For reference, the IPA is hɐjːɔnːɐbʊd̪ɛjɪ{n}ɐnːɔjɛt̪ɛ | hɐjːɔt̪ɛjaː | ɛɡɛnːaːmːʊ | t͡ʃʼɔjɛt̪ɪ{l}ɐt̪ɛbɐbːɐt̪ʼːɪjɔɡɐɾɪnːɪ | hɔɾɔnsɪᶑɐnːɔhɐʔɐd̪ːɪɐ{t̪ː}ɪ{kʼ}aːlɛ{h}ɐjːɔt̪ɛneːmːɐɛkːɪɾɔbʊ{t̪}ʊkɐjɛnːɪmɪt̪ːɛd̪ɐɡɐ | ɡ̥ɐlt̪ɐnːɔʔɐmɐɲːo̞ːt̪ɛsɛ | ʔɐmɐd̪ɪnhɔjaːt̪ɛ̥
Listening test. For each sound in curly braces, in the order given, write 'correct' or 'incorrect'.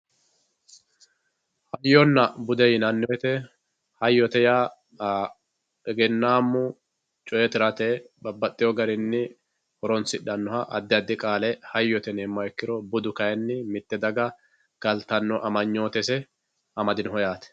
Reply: correct, incorrect, incorrect, correct, correct, incorrect

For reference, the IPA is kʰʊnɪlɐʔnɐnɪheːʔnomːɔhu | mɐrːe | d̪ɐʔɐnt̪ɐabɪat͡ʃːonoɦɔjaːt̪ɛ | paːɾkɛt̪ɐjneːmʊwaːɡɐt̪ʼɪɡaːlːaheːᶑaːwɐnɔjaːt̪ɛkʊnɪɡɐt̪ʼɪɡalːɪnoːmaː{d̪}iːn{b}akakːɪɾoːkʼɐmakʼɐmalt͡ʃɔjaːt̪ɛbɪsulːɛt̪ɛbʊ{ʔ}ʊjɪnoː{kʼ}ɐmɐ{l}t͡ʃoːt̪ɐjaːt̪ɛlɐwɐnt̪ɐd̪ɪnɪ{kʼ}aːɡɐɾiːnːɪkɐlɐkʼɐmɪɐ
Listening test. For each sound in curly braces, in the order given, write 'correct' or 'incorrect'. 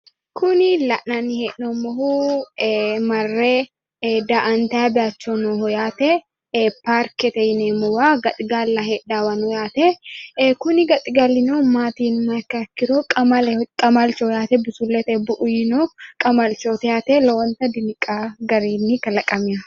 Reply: incorrect, incorrect, correct, correct, correct, correct

